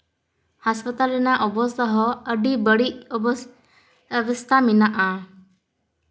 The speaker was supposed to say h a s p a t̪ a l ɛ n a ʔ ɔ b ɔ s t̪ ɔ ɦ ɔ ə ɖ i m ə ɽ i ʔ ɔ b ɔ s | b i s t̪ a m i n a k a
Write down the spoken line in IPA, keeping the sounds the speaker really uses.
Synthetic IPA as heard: h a s p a t̪ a l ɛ n a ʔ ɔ b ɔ s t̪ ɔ ɦ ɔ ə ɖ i b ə ɽ i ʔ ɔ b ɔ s | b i s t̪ a m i n a ʔ a